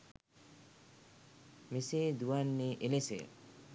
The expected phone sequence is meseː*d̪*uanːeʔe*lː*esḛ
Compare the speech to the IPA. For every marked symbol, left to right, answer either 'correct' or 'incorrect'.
correct, incorrect: l

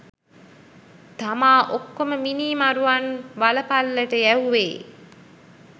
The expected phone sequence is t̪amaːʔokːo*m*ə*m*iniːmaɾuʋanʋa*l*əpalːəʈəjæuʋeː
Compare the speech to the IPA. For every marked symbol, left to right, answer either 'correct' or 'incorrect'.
correct, correct, correct

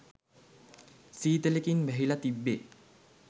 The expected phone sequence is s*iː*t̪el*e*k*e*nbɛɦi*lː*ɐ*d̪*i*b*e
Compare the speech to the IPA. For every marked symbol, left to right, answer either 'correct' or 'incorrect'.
correct, correct, incorrect: i, incorrect: l, incorrect: t̪, incorrect: bː

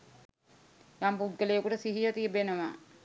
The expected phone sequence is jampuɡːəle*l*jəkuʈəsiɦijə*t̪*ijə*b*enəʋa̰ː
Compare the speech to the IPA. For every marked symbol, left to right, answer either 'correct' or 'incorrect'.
incorrect: none, correct, correct

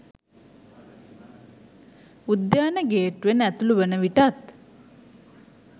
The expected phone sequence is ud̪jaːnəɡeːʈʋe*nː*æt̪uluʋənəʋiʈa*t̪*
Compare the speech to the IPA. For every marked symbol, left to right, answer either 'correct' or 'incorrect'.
incorrect: n, correct

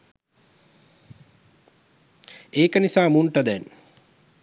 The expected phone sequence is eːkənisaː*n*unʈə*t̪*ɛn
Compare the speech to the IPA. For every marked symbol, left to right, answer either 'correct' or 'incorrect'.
incorrect: m, incorrect: d̪

